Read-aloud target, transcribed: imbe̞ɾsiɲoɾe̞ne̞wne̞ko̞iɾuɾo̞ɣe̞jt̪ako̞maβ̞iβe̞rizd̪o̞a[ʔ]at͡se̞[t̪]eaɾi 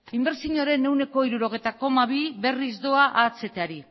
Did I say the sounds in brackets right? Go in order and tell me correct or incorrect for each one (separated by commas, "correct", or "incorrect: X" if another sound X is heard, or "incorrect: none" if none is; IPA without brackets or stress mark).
correct, correct